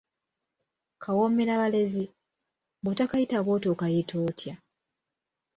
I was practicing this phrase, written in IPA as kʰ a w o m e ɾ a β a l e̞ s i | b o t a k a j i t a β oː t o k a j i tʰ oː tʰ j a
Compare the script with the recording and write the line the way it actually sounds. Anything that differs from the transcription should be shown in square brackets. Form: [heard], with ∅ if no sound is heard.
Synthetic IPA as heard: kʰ a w o m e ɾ a β a l e̞ [z] i | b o t a k a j i t a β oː t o k a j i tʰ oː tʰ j a